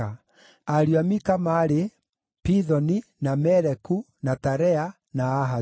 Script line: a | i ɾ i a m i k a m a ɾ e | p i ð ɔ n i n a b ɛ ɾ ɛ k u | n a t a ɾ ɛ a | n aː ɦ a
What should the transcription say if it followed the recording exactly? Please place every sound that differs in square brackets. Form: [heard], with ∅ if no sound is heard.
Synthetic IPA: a | [a] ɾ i a m i k a m a ɾ e | p i ð ɔ n i n a [m] ɛ ɾ ɛ k u | n a t a ɾ ɛ a | n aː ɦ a